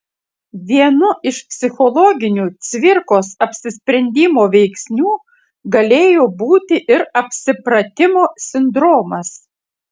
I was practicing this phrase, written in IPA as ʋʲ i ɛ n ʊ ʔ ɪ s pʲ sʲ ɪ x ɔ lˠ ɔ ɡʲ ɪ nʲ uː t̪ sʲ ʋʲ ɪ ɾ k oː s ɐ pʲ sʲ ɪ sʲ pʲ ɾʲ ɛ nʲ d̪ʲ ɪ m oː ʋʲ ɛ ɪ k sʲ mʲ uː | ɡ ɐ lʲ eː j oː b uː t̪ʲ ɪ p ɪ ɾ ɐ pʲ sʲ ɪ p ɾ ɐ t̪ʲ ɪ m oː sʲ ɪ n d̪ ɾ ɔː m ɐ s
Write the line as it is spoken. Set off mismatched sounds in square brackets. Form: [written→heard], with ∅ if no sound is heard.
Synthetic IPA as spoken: ʋʲ i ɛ n ʊ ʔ ɪ [s→ʃ] pʲ sʲ ɪ x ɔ lˠ ɔ ɡʲ ɪ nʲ uː t̪ sʲ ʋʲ ɪ ɾ k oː s ɐ pʲ sʲ ɪ sʲ pʲ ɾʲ ɛ nʲ d̪ʲ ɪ m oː ʋʲ ɛ ɪ k sʲ [mʲ→nʲ] uː | ɡ ɐ lʲ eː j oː b uː t̪ʲ ɪ [p→ʔ] ɪ ɾ ɐ pʲ sʲ ɪ p ɾ ɐ t̪ʲ ɪ m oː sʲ ɪ n d̪ ɾ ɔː m ɐ s